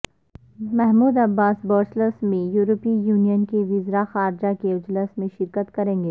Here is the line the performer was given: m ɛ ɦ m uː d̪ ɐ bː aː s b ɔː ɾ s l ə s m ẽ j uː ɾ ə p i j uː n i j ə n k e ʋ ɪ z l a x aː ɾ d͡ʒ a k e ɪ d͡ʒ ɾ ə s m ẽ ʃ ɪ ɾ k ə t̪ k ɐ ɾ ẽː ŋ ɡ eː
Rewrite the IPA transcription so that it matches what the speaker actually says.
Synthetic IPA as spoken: m ɛ ɦ m uː d̪ ɐ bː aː s b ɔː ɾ s l ə s m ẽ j uː ɾ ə p i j uː n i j ə n k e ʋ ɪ z ɾ a x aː ɾ d͡ʒ a k e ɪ d͡ʒ l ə s m ẽ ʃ ɪ ɾ k ə t̪ k ɐ ɾ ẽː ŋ ɡ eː

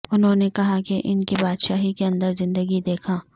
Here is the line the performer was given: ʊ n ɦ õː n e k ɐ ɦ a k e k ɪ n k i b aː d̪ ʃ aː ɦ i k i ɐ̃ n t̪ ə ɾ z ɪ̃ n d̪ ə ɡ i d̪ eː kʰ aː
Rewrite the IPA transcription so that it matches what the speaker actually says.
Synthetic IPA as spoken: ʊ n ɦ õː n e k ɐ ɦ a k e ʔ ɪ n k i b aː d̪ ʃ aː ɦ i k e ɐ̃ n d̪ ə ɾ z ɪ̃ n d̪ ə ɡ i d̪ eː kʰ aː

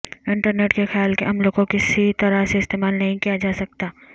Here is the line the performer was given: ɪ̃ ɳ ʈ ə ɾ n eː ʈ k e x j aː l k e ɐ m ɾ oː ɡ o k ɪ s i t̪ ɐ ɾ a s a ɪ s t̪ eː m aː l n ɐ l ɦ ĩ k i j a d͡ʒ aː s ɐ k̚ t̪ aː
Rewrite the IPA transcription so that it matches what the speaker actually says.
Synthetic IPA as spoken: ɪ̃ ɳ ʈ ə ɾ n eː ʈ k e x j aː l k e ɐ m l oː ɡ o k ɪ s i t̪ ɐ ɾ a s e ɪ s t̪ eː m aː l n ɐ ɦ ĩ k i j a d͡ʒ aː s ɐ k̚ t̪ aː

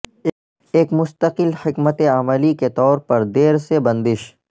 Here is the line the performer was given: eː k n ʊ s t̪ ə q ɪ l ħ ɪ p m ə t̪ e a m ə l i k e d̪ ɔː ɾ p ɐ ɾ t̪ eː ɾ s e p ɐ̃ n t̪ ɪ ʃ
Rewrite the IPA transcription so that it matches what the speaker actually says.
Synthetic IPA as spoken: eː k m ʊ s t̪ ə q ɪ l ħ ɪ k m ə t̪ e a m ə l i k e t̪ ɔː ɾ p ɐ ɾ d̪ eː ɾ s e b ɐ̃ n d̪ ɪ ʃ

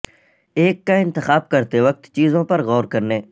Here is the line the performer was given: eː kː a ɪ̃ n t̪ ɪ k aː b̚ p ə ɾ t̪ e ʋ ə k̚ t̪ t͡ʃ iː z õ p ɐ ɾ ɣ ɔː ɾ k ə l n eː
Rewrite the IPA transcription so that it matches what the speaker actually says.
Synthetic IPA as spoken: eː kː a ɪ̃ n t̪ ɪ x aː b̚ k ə ɾ t̪ e ʋ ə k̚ t̪ t͡ʃ iː z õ p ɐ ɾ ɣ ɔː ɾ k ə ɾ n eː

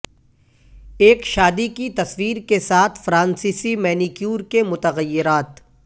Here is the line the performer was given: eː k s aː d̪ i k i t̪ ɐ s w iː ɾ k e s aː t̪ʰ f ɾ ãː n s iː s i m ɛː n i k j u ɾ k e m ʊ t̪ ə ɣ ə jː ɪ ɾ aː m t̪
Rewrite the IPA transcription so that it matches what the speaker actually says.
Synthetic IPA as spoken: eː k ʃ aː d̪ i k i t̪ ɐ s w iː ɾ k e s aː t̪ʰ f ɾ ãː n s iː s i m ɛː n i k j uː ɾ k e m ʊ t̪ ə ɣ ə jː ɪ ɾ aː t̪

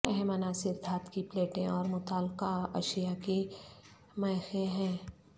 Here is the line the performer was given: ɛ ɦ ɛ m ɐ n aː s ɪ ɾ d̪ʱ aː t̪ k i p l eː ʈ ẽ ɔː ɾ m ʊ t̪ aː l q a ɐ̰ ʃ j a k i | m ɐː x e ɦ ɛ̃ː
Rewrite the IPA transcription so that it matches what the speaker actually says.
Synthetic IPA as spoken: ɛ ɦ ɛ m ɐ n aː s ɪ ɾ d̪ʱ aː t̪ k i p l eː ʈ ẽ ɔː ɾ m ʊ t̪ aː l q a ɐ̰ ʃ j a k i | m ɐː x e ɦ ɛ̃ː

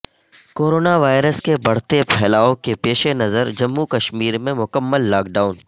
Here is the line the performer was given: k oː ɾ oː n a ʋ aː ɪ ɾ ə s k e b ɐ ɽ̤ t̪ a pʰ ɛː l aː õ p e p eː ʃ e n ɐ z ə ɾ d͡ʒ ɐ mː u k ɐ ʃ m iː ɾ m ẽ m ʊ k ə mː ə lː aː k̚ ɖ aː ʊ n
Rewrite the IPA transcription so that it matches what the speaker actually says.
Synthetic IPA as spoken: k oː ɾ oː n a ʋ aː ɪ ɾ ə s k e b ɐ ɽ̤ t̪ e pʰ ɛː l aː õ k e p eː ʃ e n ɐ z ə ɾ d͡ʒ ɐ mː u k ɐ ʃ m iː ɾ m ẽ m ʊ k ə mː ə lː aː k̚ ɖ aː ʊ n

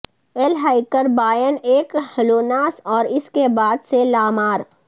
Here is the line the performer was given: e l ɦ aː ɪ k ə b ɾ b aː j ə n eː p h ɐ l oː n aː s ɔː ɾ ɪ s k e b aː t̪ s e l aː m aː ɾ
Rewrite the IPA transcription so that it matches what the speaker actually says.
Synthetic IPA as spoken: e l ɦ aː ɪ k ə ɾ b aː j ə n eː k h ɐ l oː n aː s ɔː ɾ ɪ s k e b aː d̪ s e l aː m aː ɾ

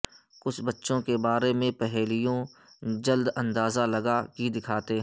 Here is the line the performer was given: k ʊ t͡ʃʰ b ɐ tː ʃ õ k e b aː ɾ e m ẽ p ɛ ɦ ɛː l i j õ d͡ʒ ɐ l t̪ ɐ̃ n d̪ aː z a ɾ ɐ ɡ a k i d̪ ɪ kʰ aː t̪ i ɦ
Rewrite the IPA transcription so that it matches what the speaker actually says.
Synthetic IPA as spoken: k ʊ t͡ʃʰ b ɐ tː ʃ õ k e b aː ɾ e m ẽ p ɛ ɦ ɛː l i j õ d͡ʒ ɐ l d̪ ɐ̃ n d̪ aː z a l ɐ ɡ a k i d̪ ɪ kʰ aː t̪ e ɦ

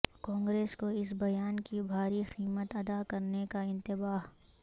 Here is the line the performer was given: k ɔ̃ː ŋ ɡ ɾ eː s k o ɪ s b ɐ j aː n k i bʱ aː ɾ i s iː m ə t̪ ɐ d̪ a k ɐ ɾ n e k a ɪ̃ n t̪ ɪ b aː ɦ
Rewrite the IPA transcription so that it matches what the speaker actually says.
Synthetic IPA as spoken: k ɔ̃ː ŋ ɡ ɾ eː s k o ɪ s b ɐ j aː n k i bʱ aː ɾ i x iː m ə t̪ ɐ d̪ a k ɐ ɾ n e k a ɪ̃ n t̪ ɪ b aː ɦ

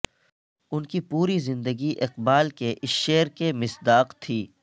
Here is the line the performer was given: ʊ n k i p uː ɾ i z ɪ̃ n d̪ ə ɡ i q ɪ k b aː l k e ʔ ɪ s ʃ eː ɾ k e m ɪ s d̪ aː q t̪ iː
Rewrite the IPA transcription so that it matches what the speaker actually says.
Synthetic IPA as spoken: ʊ n k i p uː ɾ i z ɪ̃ n d̪ ə ɡ i ʔ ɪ q b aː l k e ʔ ɪ s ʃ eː ɾ k e m ɪ s d̪ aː q t̪ʰ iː

